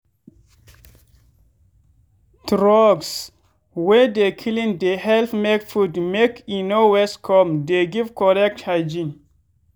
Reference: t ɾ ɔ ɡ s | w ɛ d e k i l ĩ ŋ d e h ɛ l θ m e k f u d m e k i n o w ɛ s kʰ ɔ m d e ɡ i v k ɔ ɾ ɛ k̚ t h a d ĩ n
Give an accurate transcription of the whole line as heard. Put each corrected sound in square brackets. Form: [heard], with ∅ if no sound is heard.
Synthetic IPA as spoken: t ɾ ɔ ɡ s | w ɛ d e [kʰ] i l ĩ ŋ d e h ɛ l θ m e k f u d m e k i n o w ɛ s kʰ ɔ m d e ɡ i v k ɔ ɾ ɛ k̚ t h a [d͡ʒ] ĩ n